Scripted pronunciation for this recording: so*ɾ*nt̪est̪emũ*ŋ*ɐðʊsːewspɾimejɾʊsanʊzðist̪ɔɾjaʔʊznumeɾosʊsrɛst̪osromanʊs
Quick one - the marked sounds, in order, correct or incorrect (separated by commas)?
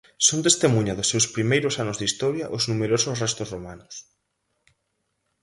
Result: incorrect, incorrect